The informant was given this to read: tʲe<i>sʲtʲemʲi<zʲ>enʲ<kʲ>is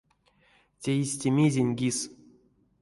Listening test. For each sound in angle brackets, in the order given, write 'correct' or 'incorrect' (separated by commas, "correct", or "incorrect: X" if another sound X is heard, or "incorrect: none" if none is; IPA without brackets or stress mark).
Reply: correct, correct, incorrect: ɡʲ